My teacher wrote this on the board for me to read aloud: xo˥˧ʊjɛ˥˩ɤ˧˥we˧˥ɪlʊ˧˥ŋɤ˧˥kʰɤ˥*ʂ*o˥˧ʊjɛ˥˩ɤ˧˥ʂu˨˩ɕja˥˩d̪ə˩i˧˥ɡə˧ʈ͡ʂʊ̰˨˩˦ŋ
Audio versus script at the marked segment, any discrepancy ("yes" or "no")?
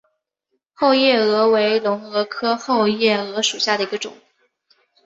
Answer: yes